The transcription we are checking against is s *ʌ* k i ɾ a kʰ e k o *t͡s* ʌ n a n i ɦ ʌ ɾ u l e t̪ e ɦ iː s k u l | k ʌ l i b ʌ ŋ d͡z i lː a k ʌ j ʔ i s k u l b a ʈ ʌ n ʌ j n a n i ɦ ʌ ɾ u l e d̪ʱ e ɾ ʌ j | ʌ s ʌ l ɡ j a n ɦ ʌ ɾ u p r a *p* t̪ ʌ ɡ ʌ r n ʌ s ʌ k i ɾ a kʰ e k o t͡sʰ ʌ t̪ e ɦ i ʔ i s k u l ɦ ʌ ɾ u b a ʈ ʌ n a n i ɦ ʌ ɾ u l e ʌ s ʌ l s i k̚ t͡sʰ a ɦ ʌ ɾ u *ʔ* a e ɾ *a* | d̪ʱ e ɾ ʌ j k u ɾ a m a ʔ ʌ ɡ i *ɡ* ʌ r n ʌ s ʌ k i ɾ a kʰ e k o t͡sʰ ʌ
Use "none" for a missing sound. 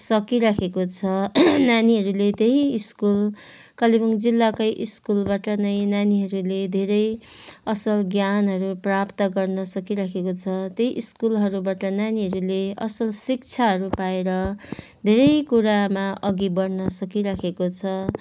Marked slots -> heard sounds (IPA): ʌ, t͡sʰ, p, p, ʌ, b

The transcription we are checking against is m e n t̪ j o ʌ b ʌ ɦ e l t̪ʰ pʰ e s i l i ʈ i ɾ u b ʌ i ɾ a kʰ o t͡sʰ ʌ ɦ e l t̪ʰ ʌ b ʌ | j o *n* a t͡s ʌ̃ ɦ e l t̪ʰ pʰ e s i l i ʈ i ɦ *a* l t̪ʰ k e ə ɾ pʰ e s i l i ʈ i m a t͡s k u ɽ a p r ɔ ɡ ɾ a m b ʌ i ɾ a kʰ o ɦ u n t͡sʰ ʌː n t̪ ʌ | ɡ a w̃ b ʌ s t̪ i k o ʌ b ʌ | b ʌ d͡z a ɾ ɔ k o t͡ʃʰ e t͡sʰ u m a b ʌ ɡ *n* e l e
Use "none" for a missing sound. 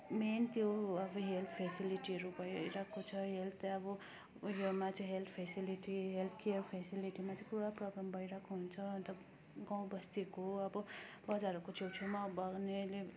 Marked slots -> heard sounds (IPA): m, e, n

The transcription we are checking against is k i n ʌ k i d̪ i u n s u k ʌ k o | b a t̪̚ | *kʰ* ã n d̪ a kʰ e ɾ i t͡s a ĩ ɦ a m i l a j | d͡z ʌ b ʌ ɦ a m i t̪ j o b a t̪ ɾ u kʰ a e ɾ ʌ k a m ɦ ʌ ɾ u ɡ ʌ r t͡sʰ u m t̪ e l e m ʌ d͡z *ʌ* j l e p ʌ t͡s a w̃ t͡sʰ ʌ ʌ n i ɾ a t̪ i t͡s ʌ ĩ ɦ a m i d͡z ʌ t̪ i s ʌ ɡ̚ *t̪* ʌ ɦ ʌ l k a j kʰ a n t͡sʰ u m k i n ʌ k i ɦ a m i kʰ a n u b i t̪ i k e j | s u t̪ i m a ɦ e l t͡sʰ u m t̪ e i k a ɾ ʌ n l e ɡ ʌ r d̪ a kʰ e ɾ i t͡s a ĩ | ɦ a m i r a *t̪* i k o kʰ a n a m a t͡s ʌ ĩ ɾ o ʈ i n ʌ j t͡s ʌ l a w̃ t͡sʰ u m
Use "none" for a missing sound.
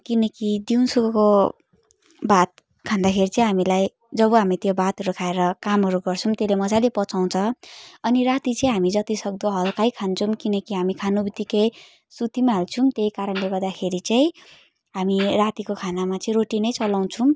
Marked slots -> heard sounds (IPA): kʰ, a, d̪, t̪

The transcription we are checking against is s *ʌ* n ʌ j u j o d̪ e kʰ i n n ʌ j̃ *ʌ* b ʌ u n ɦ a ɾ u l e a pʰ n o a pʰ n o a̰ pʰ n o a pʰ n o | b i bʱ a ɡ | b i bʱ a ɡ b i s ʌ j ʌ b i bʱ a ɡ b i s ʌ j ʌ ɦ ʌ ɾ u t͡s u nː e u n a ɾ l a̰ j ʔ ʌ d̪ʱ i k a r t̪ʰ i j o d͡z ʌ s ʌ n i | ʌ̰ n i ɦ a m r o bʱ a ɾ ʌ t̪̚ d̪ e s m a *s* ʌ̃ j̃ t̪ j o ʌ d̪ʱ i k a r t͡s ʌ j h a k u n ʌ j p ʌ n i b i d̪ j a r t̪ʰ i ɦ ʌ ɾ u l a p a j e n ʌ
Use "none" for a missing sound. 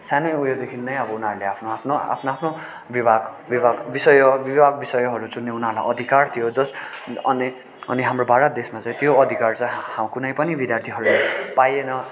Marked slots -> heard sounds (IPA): a, ʌ, t͡s

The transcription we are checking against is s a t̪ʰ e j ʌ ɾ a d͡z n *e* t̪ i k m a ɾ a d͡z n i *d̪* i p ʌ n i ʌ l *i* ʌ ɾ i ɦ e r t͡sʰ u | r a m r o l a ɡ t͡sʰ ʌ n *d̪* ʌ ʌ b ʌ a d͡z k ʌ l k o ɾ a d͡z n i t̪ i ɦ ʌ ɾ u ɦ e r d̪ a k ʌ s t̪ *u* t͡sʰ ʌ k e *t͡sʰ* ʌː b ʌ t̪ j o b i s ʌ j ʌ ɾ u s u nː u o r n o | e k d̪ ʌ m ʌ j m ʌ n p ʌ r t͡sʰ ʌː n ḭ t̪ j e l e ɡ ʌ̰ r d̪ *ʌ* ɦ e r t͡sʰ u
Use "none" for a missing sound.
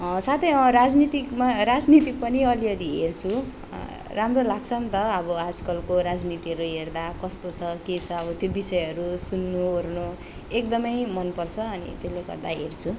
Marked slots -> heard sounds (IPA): i, t̪, i, t̪, o, t͡sʰ, a

